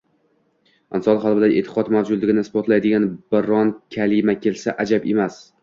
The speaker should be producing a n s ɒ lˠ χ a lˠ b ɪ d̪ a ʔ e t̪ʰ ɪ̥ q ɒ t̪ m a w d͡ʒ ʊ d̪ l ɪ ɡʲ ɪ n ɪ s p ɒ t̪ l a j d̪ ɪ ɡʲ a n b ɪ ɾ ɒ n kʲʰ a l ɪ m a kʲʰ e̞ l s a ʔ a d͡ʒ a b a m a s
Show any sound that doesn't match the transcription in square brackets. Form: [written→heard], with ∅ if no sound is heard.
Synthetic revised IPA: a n s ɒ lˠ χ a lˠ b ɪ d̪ a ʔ e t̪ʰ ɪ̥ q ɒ t̪ m a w d͡ʒ ʊ d̪ l ɪ ɡʲ ɪ n ɪ s p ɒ t̪ l a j d̪ ɪ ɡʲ a n b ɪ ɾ ɒ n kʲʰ a l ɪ m a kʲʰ e̞ l s a ʔ a d͡ʒ a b [a→e] m a s